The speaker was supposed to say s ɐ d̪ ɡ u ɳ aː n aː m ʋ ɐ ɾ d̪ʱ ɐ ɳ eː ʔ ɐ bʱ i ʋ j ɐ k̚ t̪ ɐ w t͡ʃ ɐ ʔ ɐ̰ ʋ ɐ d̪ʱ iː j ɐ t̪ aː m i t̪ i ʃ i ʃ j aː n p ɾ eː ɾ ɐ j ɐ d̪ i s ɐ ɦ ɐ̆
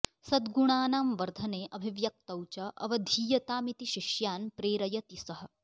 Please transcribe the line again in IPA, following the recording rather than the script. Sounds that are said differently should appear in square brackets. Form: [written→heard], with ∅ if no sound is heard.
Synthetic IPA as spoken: s ɐ d̪ ɡ u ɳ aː n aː m ʋ ɐ ɾ d̪ʱ ɐ [ɳ→n] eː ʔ ɐ bʱ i ʋ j ɐ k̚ t̪ ɐ w t͡ʃ ɐ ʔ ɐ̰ ʋ ɐ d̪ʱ iː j ɐ t̪ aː m i t̪ i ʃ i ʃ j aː n p ɾ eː ɾ ɐ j ɐ [d̪→t̪] i s ɐ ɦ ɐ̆